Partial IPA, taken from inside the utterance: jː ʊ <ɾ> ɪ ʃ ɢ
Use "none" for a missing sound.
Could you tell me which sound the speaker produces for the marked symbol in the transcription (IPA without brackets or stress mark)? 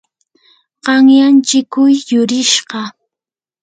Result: ɾ